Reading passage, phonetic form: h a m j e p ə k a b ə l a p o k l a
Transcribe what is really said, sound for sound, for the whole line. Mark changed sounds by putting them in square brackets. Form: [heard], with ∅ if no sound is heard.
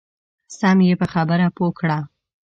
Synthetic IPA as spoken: [s] a m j e p ə [x] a b ə [ɾ] a p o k [ɽ] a